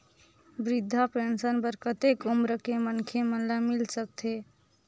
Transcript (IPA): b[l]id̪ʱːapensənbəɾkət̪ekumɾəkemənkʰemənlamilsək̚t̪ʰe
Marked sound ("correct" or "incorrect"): incorrect